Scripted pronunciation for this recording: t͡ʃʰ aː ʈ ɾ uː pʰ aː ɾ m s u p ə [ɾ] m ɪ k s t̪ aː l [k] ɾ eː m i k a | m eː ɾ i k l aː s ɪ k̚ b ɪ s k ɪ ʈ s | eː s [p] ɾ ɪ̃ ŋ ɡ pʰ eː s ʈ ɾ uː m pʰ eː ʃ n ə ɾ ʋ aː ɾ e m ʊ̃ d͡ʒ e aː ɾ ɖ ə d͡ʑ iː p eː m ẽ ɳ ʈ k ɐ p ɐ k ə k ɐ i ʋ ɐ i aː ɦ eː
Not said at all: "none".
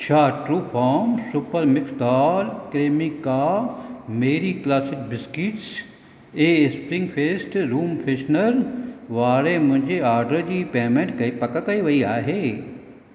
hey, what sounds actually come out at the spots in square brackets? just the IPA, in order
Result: ɾ, k, p

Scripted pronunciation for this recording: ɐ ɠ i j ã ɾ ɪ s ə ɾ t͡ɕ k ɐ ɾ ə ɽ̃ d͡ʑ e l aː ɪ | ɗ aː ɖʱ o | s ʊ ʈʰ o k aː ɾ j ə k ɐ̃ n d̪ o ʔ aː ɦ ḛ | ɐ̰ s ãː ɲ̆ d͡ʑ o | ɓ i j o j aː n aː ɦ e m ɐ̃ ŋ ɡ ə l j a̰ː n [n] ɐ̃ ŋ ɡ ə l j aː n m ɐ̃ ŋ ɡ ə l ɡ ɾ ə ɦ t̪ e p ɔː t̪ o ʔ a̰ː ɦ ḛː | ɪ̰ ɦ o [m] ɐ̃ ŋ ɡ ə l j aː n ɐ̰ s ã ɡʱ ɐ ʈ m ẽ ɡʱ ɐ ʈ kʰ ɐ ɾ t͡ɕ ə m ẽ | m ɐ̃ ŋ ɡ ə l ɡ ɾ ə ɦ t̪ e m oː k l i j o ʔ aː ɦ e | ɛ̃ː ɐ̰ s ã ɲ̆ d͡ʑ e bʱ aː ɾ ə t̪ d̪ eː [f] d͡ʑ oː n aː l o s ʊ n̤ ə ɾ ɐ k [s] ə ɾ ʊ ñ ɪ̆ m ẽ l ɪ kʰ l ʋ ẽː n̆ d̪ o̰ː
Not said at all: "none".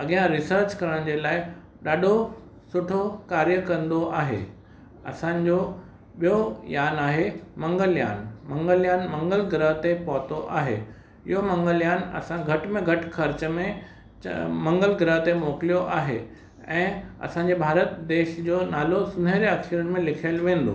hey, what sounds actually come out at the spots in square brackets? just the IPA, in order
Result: m, m, ʃ, ʃ

